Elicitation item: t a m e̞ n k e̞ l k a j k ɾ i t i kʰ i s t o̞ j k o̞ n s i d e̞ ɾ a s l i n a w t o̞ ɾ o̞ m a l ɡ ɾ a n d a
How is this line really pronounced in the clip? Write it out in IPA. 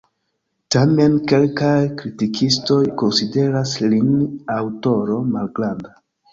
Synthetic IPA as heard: t a m e̞ n k e̞ l k a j k ɾ i t i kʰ i s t o̞ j k o̞ n s i d e̞ ɾ a s l i n a w t o̞ ɾ o̞ m a l ɡ ɾ a n d a